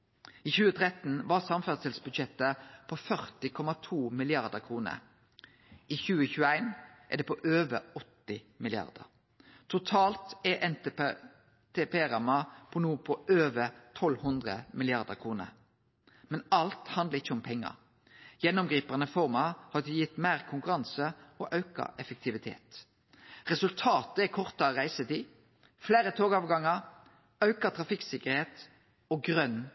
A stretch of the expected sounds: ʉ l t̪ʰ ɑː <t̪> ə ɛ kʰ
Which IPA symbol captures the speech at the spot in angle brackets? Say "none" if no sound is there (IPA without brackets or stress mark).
t̪